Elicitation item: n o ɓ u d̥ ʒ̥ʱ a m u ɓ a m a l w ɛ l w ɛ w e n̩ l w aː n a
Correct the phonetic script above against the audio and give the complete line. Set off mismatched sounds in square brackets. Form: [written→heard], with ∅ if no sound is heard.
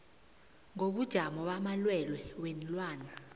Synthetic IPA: [n→ŋ] o ɓ u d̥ ʒ̥ʱ a m [u→ɔ] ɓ a m a l w ɛ l w ɛ w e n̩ l w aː n a